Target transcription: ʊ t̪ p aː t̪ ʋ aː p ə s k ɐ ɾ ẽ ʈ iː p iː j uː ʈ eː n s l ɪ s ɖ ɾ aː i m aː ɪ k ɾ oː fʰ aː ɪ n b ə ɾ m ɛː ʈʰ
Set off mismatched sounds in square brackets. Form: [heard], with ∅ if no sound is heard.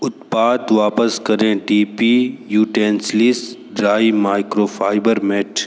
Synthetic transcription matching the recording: ʊ t̪ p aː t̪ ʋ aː p ə s k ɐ ɾ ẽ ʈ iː p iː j uː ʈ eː n s l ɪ s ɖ ɾ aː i m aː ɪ k ɾ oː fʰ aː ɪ [∅] b ə ɾ m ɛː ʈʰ

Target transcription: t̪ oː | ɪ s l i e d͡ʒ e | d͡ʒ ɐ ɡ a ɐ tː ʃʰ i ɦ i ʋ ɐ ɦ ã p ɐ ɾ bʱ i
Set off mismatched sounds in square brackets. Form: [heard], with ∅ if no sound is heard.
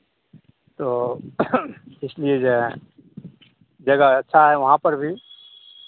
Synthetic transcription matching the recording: t̪ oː | ɪ s l i e d͡ʒ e | d͡ʒ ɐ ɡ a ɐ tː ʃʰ [a] ɦ [ɛ] ʋ ɐ ɦ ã p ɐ ɾ bʱ i

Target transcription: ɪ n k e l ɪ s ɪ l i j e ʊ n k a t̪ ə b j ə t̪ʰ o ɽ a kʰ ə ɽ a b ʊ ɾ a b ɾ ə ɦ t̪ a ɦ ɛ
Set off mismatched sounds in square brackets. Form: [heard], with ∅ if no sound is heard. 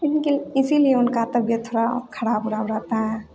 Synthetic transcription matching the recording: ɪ n k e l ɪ s [i] l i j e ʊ n k a t̪ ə b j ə t̪ʰ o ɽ a kʰ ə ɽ a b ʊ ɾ a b ɾ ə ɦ t̪ a ɦ ɛ

